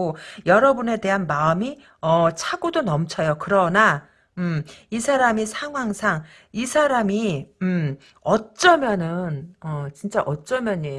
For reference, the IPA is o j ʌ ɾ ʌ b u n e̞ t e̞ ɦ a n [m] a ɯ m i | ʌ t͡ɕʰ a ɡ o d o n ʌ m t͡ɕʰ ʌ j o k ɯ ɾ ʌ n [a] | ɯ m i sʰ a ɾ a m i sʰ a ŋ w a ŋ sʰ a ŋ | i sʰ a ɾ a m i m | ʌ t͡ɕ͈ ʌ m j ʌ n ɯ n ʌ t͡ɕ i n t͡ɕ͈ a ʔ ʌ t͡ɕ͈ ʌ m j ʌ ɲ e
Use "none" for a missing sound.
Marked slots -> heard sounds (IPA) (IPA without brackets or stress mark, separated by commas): m, a